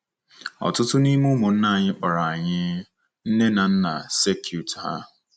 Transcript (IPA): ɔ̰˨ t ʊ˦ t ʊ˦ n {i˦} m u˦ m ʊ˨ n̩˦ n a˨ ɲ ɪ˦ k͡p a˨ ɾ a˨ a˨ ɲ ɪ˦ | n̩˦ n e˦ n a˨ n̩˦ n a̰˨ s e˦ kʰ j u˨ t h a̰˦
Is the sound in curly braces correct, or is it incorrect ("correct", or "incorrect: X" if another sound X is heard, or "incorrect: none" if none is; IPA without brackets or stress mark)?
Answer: correct